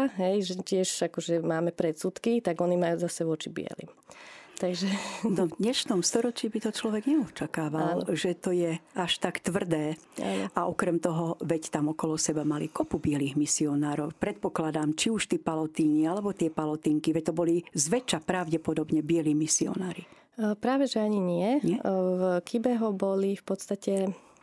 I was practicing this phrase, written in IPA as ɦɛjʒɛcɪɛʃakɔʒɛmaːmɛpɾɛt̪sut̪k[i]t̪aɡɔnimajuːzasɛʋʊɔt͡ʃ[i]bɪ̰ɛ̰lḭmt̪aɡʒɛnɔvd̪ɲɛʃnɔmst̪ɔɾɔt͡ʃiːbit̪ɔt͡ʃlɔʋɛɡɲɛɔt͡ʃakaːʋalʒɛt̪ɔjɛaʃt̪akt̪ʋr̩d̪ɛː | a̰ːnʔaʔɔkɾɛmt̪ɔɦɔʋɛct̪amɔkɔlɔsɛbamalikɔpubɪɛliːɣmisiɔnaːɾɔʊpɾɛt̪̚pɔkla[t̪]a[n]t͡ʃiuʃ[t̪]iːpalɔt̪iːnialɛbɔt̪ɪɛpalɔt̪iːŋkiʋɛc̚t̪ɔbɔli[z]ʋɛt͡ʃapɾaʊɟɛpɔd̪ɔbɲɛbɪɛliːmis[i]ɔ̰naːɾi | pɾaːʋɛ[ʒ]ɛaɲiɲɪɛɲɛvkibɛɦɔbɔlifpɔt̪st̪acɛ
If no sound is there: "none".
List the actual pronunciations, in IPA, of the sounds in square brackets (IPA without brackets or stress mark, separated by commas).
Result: i, i, d̪, m, t̪, z, i, ʒ